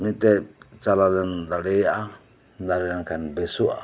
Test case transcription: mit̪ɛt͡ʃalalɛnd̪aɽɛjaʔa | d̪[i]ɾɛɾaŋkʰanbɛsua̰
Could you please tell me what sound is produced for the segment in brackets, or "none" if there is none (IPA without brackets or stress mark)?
a